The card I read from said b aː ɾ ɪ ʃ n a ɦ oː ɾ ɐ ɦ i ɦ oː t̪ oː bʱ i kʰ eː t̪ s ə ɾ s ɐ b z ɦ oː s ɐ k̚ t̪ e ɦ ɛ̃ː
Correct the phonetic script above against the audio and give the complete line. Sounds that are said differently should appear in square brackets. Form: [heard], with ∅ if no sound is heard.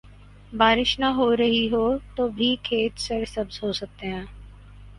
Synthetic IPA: b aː ɾ ɪ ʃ n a ɦ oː ɾ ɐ ɦ i ɦ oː t̪ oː bʱ i kʰ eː t̪ s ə ɾ s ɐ b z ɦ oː s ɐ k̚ t̪ e ɦ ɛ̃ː